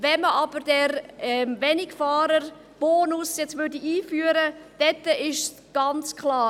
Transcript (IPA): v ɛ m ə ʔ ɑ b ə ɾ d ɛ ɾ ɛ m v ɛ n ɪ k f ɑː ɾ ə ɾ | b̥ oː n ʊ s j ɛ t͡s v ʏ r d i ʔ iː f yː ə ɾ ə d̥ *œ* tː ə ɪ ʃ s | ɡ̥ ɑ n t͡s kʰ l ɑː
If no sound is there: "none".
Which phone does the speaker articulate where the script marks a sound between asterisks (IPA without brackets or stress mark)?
ɛ